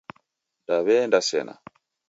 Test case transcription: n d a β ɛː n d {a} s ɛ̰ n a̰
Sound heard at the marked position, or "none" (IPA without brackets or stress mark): a